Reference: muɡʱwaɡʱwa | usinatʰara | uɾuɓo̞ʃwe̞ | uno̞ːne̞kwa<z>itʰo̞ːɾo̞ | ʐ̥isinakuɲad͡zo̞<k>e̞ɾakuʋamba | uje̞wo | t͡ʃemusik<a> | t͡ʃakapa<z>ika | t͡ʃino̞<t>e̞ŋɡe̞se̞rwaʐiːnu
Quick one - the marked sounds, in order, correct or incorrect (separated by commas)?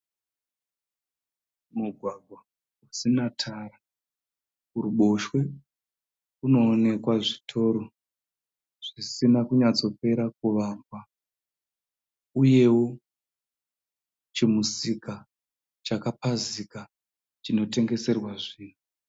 incorrect, incorrect, correct, correct, correct